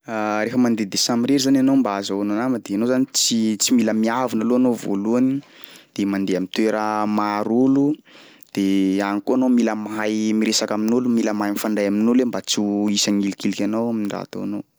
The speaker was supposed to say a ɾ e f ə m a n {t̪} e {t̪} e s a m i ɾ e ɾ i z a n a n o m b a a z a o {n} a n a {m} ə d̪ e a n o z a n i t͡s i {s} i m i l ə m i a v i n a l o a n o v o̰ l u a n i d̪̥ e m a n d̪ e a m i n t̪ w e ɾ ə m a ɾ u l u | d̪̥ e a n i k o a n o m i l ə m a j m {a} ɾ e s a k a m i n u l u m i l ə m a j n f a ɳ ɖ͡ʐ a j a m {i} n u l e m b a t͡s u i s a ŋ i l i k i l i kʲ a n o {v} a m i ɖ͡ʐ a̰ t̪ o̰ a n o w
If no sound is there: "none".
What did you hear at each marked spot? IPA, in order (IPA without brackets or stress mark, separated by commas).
d̪, d̪, n, m, t͡s, i, i, w